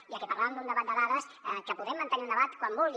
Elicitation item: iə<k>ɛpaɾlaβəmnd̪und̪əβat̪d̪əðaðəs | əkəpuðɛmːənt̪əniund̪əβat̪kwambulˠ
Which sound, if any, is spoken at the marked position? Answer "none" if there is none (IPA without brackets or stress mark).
k